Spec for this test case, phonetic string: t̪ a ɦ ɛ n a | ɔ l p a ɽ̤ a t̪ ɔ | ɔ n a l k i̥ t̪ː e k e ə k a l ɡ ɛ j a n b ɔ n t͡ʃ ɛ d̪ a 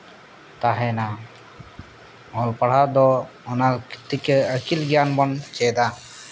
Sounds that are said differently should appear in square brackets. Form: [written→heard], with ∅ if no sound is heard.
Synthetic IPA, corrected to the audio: t̪ a ɦ ɛ n a | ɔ l p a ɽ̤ a [t̪→d̪] ɔ | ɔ n a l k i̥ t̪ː [e→i] k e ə k [a→i] l ɡ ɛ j a n b ɔ n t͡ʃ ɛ d̪ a